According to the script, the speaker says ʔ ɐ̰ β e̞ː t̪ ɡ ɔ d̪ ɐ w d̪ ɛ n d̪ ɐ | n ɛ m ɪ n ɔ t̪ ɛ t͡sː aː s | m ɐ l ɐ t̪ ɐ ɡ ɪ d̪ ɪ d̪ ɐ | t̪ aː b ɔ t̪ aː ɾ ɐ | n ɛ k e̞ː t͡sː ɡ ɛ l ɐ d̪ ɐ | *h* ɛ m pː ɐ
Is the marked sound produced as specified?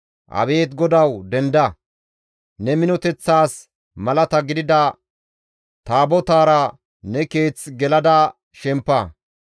no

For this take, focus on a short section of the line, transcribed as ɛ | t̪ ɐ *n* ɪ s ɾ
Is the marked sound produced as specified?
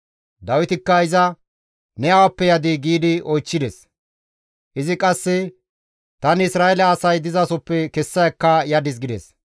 yes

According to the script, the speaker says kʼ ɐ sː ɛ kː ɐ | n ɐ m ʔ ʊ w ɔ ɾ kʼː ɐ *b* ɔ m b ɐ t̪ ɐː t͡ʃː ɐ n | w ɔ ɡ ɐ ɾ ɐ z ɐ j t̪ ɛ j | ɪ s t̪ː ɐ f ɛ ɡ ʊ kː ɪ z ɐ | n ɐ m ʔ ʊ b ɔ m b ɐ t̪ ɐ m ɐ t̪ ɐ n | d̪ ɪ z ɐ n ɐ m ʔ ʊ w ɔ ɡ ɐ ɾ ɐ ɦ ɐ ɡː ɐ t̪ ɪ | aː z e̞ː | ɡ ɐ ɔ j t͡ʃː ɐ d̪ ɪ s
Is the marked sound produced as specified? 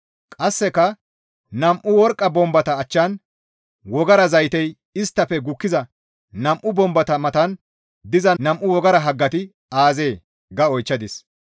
yes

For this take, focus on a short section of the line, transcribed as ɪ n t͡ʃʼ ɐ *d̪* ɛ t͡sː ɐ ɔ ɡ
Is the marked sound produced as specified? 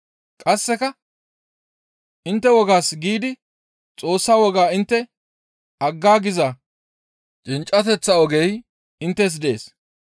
no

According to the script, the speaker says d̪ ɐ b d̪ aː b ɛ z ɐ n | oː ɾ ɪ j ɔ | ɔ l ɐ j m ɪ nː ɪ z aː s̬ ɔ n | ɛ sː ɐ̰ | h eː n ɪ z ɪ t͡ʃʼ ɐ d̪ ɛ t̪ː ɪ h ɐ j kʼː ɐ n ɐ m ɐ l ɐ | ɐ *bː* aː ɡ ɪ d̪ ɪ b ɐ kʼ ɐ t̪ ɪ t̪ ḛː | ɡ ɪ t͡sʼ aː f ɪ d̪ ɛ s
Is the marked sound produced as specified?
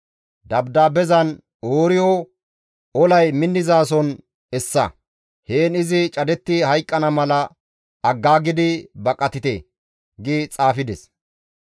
no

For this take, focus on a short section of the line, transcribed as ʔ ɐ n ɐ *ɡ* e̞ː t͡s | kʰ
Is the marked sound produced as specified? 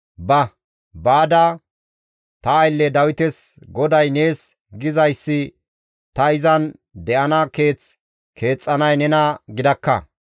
no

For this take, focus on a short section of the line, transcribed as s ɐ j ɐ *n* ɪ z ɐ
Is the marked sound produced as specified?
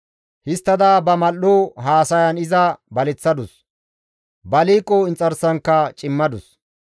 yes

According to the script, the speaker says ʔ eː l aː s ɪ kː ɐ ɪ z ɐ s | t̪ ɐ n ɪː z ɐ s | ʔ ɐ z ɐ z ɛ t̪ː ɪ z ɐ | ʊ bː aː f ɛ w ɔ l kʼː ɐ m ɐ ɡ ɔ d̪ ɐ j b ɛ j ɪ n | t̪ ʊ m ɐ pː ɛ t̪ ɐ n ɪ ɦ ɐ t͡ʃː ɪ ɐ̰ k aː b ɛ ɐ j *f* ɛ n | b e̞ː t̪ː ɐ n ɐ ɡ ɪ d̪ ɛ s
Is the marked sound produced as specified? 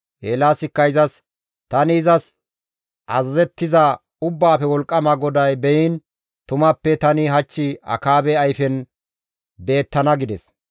yes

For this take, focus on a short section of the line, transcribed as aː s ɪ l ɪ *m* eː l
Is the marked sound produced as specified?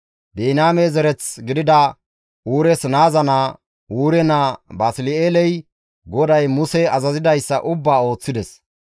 no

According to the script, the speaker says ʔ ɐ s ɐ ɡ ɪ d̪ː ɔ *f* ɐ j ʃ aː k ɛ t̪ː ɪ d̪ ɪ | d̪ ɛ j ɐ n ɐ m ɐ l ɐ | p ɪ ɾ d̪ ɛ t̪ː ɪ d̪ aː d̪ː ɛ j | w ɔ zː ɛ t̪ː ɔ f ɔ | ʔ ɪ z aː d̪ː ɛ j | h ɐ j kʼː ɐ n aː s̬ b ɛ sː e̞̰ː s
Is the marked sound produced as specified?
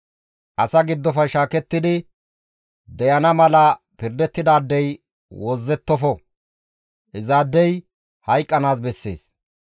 yes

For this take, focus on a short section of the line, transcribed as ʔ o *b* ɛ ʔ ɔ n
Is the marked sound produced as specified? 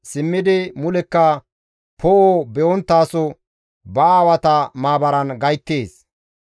yes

